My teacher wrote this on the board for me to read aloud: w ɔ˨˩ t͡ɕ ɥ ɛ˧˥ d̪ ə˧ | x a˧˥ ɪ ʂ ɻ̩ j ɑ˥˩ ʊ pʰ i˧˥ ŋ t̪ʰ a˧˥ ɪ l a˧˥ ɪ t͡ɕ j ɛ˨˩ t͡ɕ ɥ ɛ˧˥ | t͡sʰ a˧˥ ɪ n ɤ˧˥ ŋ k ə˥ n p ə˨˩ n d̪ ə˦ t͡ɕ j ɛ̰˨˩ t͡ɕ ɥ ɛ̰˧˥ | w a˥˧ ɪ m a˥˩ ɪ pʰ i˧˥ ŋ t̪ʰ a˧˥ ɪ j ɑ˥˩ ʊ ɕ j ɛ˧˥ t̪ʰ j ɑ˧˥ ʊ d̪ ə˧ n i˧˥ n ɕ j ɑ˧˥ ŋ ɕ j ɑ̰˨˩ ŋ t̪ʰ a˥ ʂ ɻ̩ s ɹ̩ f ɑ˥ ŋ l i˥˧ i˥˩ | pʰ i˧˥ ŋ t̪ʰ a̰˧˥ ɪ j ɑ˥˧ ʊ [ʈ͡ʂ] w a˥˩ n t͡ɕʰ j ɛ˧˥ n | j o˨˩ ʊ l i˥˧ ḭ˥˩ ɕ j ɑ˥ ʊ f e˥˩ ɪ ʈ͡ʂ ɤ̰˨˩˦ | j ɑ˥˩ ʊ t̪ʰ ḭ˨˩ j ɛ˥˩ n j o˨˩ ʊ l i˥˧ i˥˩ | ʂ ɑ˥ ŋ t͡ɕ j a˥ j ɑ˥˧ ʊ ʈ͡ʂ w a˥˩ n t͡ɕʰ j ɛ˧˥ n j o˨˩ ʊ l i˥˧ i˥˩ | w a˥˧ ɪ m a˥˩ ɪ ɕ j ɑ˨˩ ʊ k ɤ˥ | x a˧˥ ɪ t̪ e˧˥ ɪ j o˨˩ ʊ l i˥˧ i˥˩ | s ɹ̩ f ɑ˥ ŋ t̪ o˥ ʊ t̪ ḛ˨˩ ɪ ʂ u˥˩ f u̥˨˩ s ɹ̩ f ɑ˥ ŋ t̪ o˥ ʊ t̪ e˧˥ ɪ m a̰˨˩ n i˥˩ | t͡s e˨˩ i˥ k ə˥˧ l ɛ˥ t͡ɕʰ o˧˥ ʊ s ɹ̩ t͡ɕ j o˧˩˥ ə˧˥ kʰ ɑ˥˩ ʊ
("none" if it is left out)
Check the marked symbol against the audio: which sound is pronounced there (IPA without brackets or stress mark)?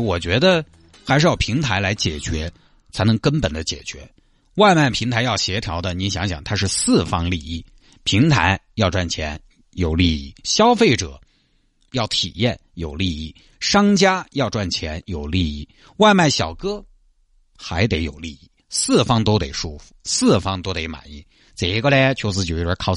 ʈ͡ʂ